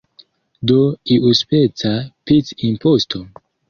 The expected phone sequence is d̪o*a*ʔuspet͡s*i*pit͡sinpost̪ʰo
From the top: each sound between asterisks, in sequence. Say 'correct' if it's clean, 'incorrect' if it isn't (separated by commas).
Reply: incorrect, incorrect